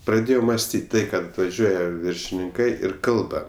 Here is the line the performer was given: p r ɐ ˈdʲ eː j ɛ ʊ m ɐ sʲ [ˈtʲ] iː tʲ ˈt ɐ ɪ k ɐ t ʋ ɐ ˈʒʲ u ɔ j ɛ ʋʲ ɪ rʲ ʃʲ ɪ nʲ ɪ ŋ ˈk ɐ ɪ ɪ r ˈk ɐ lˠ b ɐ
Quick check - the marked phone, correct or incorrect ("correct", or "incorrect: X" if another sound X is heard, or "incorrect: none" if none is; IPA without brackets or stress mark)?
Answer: correct